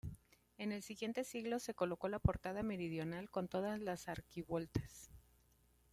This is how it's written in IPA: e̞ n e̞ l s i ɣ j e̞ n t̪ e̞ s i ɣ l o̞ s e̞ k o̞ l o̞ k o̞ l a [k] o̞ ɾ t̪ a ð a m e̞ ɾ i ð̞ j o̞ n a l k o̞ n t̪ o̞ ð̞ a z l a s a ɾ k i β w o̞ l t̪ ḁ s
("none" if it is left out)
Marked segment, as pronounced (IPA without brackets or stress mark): p